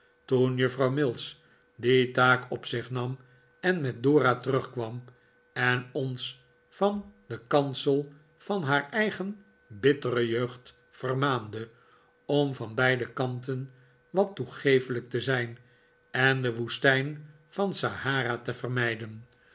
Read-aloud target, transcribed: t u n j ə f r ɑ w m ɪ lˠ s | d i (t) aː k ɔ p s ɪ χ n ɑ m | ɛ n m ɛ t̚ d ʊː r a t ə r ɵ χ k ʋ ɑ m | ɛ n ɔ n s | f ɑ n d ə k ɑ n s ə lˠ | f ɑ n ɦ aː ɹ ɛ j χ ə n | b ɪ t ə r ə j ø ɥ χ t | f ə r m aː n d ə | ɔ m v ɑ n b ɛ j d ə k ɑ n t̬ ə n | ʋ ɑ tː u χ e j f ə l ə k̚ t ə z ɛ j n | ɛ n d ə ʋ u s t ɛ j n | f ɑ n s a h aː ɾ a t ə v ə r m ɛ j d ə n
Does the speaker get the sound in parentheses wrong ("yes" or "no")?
no